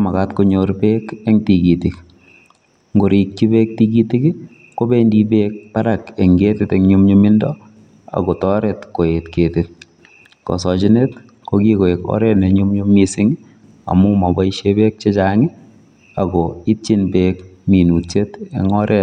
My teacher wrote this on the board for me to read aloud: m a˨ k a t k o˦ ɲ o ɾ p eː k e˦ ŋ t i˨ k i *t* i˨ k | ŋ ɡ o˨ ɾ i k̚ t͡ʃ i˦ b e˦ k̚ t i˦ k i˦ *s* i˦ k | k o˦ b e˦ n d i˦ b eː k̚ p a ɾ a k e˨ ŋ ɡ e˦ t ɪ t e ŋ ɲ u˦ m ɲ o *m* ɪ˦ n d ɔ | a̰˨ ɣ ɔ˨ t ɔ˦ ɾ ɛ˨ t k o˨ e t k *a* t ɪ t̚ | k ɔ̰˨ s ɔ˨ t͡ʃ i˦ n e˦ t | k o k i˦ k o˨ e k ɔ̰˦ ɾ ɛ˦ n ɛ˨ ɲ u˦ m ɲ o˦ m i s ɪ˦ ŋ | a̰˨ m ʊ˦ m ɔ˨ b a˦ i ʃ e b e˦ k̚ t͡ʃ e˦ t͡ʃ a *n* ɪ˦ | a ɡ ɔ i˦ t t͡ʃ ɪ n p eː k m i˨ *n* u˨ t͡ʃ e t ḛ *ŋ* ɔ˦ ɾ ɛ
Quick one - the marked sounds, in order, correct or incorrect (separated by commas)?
correct, incorrect, correct, incorrect, incorrect, correct, correct